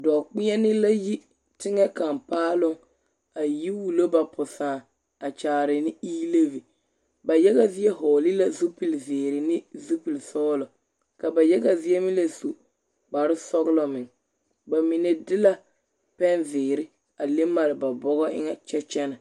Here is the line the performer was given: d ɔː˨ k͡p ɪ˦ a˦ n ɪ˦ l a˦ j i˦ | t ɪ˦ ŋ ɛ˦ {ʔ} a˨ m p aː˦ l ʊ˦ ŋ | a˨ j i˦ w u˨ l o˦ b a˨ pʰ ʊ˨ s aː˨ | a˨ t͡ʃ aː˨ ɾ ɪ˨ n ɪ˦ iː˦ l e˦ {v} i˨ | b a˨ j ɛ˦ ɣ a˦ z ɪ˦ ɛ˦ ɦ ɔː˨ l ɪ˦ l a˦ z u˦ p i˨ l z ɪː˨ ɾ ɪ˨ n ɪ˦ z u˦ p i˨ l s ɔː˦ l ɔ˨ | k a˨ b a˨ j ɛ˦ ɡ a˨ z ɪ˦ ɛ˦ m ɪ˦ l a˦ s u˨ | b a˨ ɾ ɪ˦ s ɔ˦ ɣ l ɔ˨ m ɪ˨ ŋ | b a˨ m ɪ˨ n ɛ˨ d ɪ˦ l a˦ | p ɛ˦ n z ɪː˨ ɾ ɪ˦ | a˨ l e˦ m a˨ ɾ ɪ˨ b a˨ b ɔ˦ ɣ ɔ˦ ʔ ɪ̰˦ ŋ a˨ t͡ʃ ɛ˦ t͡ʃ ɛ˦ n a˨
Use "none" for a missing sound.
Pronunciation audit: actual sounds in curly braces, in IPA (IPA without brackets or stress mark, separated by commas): k, v